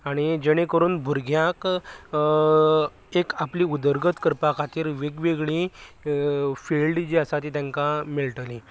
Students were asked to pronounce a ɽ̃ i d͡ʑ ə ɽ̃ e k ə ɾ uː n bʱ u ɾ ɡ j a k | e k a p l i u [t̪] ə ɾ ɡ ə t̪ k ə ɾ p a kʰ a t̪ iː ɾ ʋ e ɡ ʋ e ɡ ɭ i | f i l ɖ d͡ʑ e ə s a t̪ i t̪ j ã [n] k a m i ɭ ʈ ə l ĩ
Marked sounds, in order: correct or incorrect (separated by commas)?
incorrect, incorrect